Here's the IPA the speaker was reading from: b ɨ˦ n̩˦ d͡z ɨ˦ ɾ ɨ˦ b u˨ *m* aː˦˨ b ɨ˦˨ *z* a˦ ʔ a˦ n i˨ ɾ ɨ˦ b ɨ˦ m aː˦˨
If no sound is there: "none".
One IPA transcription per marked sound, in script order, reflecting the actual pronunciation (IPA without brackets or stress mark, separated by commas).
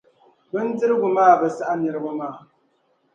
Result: m, s